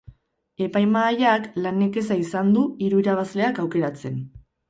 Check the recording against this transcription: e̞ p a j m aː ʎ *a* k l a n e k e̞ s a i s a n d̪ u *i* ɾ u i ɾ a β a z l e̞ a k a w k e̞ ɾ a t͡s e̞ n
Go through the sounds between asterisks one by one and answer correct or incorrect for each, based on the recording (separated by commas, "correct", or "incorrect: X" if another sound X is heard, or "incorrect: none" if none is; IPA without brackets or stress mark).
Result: correct, correct